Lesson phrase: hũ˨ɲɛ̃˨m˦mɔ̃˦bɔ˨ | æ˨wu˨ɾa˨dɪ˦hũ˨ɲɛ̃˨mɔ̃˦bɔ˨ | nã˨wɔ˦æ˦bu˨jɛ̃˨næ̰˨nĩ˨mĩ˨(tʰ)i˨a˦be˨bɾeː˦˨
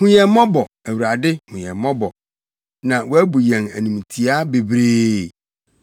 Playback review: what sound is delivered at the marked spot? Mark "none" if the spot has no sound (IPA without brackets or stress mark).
tʰ